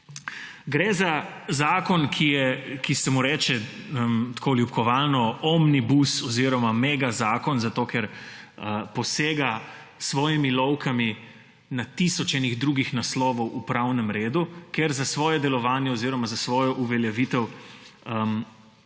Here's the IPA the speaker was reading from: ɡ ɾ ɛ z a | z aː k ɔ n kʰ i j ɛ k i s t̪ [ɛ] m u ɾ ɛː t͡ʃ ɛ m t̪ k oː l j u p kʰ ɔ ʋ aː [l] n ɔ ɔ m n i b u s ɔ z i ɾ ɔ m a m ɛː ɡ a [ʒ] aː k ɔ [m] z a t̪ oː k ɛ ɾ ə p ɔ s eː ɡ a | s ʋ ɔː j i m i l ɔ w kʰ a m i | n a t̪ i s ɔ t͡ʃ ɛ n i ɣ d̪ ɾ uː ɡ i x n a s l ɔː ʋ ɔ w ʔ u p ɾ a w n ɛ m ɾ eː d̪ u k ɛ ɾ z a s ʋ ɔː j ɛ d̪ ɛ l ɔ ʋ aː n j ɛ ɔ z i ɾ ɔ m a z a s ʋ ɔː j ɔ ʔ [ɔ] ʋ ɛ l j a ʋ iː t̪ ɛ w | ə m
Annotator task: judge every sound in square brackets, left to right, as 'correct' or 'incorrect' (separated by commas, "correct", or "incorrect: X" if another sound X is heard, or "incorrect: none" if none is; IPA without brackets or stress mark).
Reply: correct, correct, incorrect: z, incorrect: n, incorrect: u